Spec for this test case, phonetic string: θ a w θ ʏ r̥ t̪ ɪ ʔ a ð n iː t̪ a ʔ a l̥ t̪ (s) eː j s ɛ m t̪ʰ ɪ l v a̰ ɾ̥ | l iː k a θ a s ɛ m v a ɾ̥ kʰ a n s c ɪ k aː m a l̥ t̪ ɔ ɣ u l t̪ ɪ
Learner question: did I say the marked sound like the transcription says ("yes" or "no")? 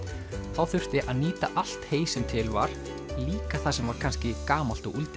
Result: no